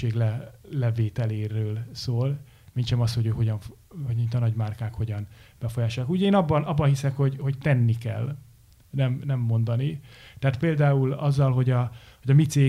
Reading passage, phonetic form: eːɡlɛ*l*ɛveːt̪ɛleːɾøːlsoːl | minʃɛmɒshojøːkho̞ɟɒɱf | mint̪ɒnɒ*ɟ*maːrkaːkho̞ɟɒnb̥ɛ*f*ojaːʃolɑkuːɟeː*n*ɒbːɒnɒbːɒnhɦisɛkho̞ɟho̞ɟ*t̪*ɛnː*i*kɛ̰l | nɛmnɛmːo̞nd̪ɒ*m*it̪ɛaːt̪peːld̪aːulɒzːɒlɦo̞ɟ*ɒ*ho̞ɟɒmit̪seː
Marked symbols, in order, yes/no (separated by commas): yes, yes, yes, yes, yes, yes, no, yes